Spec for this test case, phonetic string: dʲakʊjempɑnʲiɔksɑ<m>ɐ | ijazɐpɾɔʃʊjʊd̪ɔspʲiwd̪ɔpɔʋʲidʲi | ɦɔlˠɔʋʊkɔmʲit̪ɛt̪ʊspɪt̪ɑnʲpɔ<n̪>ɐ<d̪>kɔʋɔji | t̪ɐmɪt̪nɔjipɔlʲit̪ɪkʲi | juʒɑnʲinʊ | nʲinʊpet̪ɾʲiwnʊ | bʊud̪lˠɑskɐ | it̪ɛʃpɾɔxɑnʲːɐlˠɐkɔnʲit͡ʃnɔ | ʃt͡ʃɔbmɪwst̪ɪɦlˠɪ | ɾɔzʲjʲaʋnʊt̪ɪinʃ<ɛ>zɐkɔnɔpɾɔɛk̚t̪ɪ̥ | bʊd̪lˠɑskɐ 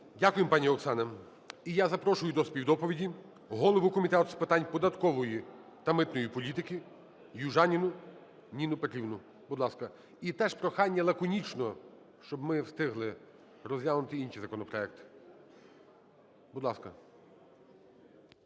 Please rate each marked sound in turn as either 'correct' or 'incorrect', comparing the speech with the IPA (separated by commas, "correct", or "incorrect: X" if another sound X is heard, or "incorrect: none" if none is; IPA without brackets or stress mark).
incorrect: n, incorrect: d̪, incorrect: t̪, incorrect: i